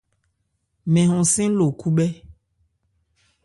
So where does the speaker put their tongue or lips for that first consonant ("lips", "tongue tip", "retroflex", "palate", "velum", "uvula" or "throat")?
lips